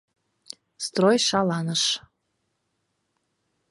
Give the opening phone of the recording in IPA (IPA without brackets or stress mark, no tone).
s